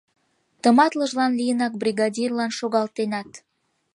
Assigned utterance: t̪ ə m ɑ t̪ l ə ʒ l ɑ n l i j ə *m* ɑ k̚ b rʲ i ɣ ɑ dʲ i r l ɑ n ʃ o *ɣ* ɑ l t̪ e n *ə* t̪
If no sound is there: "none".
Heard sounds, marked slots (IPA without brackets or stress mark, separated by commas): n, ɣ, ɑ